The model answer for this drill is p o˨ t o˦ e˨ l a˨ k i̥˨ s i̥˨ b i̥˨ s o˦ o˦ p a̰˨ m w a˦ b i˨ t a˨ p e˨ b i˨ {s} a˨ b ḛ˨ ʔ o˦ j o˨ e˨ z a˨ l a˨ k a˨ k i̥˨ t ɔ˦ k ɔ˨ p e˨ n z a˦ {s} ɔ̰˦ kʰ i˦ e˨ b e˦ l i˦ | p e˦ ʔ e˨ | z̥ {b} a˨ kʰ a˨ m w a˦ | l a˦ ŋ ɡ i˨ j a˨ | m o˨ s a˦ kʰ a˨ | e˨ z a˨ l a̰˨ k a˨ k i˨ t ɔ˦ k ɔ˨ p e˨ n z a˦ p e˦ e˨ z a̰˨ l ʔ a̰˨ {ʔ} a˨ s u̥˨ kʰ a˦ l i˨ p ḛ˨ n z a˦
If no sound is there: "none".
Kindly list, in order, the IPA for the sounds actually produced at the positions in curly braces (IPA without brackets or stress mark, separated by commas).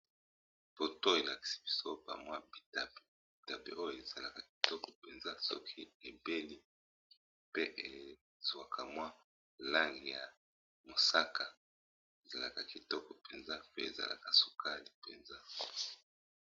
t, s, w, k